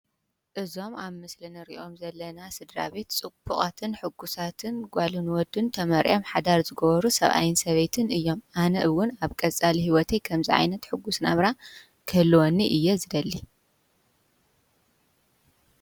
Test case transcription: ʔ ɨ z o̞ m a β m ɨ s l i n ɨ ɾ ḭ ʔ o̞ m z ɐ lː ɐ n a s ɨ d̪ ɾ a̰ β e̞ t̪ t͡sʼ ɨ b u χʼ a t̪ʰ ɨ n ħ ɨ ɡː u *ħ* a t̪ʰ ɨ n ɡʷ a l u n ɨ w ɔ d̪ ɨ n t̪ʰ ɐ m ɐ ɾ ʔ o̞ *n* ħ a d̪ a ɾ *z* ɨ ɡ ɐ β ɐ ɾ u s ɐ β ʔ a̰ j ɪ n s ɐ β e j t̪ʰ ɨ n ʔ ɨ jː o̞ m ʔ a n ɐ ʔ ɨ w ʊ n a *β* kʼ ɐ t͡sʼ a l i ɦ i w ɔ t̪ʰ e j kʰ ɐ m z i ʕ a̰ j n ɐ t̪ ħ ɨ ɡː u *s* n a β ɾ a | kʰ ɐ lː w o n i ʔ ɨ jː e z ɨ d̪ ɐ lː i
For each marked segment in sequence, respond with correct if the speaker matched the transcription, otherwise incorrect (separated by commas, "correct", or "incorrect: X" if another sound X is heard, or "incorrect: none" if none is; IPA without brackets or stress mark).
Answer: incorrect: s, incorrect: m, correct, correct, correct